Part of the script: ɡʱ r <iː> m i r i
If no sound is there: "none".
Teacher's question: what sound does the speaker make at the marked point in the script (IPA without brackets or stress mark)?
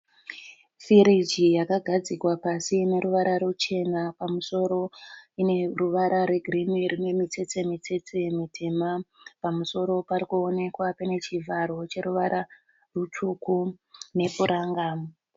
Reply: i